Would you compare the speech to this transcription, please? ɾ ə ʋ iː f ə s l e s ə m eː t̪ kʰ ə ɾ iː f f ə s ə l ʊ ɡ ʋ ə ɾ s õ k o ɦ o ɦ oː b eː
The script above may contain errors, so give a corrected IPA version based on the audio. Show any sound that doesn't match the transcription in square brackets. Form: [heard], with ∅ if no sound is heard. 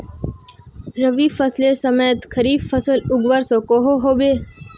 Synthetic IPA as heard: ɾ ə ʋ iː f ə s l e s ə m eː t̪ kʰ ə ɾ iː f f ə s ə l ʊ ɡ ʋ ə ɾ s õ k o ɦ o ɦ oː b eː